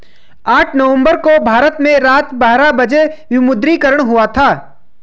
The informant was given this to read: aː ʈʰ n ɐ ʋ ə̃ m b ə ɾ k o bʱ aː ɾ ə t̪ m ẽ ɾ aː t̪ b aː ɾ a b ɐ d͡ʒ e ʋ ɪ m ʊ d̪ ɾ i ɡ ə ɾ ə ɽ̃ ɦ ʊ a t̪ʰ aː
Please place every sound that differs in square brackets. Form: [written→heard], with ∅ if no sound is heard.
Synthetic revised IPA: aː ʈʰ n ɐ ʋ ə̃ m b ə ɾ k o bʱ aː ɾ ə t̪ m ẽ ɾ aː t̪ b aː ɾ a b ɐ d͡ʒ e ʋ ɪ m ʊ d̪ ɾ i [ɡ→k] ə ɾ ə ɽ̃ ɦ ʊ a t̪ʰ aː